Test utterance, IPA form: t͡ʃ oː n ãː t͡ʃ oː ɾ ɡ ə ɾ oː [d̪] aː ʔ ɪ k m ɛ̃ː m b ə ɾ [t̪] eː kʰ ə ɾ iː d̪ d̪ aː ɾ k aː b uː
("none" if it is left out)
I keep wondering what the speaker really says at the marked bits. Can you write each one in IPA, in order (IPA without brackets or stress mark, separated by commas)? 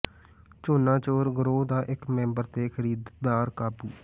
d̪, t̪